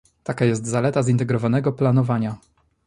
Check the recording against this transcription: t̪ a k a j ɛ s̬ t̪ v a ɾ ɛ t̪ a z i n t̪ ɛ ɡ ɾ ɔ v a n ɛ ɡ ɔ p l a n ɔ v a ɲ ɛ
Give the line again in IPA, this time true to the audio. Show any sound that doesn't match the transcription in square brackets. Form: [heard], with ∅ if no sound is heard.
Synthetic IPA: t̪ a k a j ɛ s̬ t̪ [z] a [l] ɛ t̪ a z i n t̪ ɛ ɡ ɾ ɔ v a n ɛ ɡ ɔ p l a n ɔ v a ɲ [a]